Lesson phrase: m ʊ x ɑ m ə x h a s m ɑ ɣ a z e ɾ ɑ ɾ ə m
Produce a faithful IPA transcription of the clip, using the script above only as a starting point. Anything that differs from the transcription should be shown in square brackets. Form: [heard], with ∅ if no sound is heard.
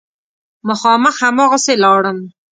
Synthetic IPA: m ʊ x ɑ m ə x h a [∅] m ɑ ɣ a [s] e [l] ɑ [ɽ] ə m